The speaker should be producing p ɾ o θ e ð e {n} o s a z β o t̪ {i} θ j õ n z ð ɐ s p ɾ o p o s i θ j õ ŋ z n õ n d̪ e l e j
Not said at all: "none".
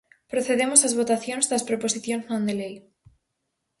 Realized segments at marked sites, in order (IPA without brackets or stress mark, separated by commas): m, a